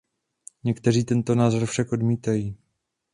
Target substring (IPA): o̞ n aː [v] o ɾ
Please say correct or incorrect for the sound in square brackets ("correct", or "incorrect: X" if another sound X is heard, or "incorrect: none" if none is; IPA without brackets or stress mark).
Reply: incorrect: z